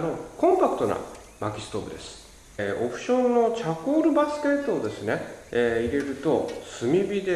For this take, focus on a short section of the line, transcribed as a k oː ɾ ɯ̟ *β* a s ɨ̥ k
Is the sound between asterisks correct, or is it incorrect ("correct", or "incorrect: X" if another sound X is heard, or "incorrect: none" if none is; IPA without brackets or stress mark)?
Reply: incorrect: b